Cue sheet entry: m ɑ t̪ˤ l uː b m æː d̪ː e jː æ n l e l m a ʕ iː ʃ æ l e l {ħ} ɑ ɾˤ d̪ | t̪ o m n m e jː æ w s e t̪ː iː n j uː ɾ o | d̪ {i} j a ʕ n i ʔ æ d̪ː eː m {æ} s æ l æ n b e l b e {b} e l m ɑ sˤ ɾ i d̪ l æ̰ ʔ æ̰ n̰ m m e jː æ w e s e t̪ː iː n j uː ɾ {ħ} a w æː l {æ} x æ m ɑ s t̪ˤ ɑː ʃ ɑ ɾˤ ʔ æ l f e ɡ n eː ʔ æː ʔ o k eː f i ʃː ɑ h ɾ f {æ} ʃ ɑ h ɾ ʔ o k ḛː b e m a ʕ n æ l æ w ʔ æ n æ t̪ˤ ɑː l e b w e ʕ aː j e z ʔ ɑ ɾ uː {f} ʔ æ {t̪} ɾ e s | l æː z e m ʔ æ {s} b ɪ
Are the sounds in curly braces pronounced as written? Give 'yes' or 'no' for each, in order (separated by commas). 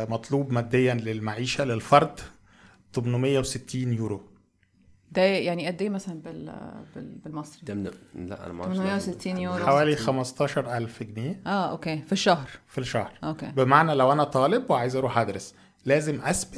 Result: no, no, yes, yes, yes, no, no, no, no, yes